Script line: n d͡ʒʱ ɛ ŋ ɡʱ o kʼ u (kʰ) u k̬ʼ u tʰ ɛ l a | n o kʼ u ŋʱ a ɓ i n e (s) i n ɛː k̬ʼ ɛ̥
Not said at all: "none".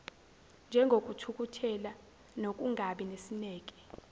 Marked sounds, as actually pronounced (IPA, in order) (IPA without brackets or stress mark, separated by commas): tʰ, s